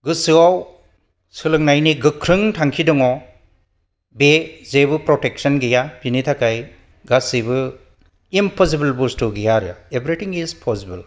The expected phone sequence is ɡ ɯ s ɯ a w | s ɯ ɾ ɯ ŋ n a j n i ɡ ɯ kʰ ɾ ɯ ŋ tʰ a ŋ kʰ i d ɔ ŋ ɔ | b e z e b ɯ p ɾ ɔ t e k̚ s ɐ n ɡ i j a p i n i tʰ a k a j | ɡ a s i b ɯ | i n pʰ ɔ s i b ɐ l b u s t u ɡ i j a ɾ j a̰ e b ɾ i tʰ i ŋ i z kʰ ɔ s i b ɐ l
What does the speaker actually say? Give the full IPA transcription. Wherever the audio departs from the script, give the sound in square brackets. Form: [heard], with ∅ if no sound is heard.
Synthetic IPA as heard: ɡ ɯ s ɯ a w | s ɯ [l] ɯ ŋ n a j n i ɡ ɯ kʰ ɾ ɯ ŋ tʰ a ŋ kʰ i d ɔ ŋ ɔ | b e z e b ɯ p ɾ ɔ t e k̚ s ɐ n ɡ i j a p i n i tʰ a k a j | ɡ a s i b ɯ | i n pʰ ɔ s i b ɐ l b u s t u ɡ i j a ɾ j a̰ e b ɾ i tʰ i ŋ i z [pʰ] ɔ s i b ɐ l

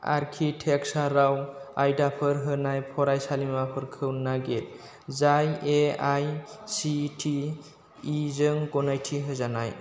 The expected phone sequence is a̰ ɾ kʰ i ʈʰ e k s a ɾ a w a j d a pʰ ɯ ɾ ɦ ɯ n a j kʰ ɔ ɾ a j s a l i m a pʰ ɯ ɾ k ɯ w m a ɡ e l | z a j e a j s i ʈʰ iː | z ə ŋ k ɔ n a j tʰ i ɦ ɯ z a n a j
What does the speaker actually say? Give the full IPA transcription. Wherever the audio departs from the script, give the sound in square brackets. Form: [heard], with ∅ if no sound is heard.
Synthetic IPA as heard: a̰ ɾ kʰ i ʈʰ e k s a ɾ a w a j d a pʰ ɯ ɾ ɦ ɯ n a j [pʰ] ɔ ɾ a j s a l i m a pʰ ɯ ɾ [kʰ] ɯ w [n] a ɡ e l | z a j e a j s i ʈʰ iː | z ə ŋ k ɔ n a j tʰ i ɦ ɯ z a n a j

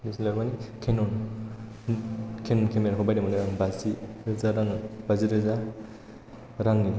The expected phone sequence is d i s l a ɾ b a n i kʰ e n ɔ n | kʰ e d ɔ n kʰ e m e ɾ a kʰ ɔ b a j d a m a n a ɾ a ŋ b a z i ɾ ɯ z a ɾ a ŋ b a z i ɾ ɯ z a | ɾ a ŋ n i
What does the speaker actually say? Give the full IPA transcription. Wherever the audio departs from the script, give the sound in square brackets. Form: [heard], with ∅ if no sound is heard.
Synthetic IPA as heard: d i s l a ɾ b a n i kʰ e n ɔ n | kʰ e [n] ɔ n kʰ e m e ɾ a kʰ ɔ b a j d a m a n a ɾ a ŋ b a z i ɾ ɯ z a ɾ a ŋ b a z i ɾ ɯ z a | ɾ a ŋ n i

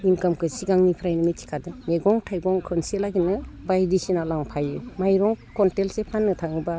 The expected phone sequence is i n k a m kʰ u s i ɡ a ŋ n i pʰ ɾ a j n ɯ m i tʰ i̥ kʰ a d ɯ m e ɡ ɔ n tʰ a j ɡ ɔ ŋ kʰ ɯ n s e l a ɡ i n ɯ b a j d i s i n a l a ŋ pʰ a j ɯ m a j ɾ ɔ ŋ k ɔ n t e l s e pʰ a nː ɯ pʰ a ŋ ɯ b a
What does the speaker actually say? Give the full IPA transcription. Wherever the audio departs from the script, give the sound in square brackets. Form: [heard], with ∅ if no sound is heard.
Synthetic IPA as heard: i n k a m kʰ [ɯ] s i ɡ a ŋ n i pʰ ɾ a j n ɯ m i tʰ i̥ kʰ a d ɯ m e ɡ ɔ [ŋ] tʰ a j ɡ ɔ ŋ kʰ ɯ n s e l a ɡ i n ɯ b a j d i s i n a l a ŋ pʰ a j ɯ m a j ɾ ɔ ŋ k ɔ n t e l s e pʰ a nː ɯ [tʰ] a ŋ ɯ b a

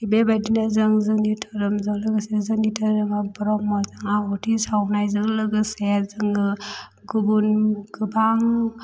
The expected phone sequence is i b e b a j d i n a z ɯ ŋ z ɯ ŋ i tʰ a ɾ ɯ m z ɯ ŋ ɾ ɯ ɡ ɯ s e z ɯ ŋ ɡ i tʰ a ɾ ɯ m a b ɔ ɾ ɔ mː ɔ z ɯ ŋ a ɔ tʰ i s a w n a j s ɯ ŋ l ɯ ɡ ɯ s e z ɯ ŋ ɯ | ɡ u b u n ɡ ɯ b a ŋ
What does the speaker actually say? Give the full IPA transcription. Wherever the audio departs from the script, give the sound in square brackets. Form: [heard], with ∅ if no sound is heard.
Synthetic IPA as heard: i b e b a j d i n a z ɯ ŋ z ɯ ŋ i tʰ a ɾ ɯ m z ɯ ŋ [l] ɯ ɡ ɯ s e z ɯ ŋ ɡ i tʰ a ɾ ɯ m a b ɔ ɾ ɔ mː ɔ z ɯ ŋ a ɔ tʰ i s a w n a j [z] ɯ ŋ l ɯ ɡ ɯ s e z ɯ ŋ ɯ | ɡ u b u n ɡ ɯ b a ŋ

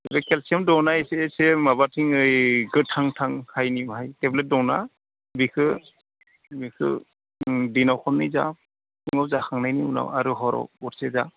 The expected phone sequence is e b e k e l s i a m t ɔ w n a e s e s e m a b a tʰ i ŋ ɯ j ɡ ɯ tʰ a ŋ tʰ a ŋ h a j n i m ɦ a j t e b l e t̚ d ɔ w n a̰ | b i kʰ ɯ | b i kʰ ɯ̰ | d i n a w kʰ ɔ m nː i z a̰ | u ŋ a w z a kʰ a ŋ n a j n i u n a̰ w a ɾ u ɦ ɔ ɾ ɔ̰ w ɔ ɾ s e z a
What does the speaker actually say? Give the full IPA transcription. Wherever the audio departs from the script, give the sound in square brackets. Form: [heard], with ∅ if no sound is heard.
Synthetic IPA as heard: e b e k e l s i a m [d] ɔ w n a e s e s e m a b a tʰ i ŋ ɯ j ɡ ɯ tʰ a ŋ tʰ a ŋ h a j n i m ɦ a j t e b l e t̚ d ɔ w n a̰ | b i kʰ ɯ | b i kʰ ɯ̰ | d i n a w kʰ ɔ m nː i z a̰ | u ŋ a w z a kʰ a ŋ n a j n i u n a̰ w a ɾ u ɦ ɔ ɾ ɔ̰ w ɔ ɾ s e z a

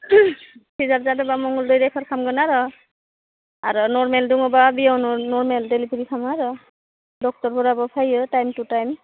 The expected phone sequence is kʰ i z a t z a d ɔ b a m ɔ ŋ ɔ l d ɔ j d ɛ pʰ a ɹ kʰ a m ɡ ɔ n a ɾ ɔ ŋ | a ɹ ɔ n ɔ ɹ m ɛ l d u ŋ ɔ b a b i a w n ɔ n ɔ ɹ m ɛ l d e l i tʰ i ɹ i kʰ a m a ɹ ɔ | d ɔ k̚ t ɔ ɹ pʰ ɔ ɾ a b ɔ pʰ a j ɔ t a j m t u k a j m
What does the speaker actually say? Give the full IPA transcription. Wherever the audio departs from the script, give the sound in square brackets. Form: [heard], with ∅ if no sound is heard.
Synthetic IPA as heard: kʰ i z a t z a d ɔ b a m ɔ ŋ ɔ l d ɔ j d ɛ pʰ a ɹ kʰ a m ɡ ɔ n a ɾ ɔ [∅] | a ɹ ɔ n ɔ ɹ m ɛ l d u ŋ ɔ b a b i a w n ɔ n ɔ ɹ m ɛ l d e l i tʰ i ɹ i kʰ a m a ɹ ɔ | d ɔ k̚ t ɔ ɹ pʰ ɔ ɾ a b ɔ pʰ a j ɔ t a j m t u [t] a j m

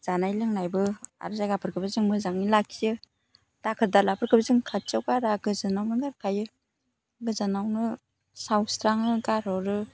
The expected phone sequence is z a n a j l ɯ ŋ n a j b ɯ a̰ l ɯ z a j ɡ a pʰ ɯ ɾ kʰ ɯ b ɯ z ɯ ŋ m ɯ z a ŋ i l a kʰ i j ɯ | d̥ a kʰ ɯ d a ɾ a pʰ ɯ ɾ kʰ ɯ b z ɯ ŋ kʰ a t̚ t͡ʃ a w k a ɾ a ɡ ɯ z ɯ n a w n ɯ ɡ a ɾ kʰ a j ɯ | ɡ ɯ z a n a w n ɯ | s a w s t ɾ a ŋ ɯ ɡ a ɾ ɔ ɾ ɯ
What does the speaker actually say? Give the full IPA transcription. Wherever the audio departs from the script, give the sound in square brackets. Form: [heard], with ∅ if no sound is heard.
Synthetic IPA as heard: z a n a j l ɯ ŋ n a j b ɯ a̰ [ɾ] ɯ z a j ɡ a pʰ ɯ ɾ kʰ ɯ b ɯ z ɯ ŋ m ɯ z a ŋ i l a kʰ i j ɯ | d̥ a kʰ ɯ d a [l] a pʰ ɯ ɾ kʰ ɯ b z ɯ ŋ kʰ a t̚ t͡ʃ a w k a ɾ a ɡ ɯ z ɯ n a w n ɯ ɡ a ɾ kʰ a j ɯ | ɡ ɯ z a n a w n ɯ | s a w s t ɾ a ŋ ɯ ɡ a ɾ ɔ ɾ ɯ

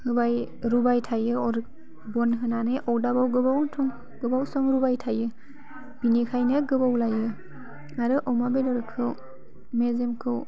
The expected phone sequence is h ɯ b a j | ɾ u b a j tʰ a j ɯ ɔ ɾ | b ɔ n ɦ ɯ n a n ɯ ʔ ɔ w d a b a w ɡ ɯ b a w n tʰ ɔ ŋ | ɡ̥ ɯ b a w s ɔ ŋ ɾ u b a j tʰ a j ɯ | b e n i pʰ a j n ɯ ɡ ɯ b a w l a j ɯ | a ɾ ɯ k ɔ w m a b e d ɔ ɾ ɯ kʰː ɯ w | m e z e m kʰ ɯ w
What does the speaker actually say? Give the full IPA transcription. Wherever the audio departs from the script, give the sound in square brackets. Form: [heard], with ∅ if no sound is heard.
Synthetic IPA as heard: h ɯ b a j | ɾ u b a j tʰ a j ɯ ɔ ɾ | b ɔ n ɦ ɯ n a n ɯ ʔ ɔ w d a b a w ɡ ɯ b a w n tʰ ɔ ŋ | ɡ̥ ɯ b a w s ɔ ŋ ɾ u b a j tʰ a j ɯ | b [i] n i [kʰ] a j n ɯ ɡ ɯ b a w l a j ɯ | a ɾ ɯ [ʔ] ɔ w m a b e d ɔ ɾ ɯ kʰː ɯ w | m e z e m kʰ ɯ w

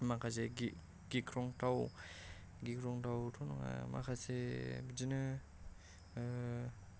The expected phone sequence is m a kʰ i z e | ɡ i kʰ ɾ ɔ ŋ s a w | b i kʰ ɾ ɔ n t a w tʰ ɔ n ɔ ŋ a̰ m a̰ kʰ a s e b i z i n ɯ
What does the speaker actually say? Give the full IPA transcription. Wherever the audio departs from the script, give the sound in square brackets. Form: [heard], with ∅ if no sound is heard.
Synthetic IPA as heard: m a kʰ [a] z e | ɡ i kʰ ɾ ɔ ŋ [t] a w | [ɡ] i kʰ ɾ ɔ [ŋ] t a w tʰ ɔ n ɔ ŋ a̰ m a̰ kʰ a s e b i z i n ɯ

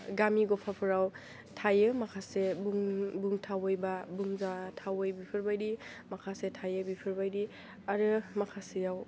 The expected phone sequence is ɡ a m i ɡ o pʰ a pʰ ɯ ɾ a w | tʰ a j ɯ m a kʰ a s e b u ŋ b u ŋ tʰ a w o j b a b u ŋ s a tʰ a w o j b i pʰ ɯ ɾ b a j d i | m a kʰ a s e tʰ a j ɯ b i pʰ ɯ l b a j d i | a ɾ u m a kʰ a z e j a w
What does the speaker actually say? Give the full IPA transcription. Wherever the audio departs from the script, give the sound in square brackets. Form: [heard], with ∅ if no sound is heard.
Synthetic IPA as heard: ɡ a m i ɡ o pʰ a pʰ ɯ ɾ a w | tʰ a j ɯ m a kʰ a s e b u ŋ b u ŋ tʰ a w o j b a b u ŋ [z] a tʰ a w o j b i pʰ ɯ ɾ b a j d i | m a kʰ a s e tʰ a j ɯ b i pʰ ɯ [ɾ] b a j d i | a ɾ [ɯ] m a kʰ a [s] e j a w

